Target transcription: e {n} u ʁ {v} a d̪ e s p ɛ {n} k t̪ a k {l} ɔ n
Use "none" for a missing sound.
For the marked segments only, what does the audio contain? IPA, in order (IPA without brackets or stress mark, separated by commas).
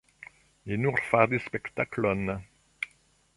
n, f, none, l